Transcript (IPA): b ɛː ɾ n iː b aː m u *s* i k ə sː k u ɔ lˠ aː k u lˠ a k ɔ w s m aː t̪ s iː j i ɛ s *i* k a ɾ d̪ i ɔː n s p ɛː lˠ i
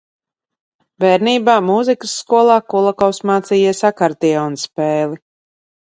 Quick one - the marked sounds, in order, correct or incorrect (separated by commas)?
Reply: incorrect, incorrect